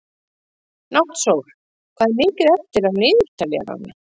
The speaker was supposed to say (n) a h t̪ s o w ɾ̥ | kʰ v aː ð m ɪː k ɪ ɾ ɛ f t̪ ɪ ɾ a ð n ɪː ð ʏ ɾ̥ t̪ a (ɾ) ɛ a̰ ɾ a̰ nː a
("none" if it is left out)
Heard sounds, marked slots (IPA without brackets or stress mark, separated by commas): n, l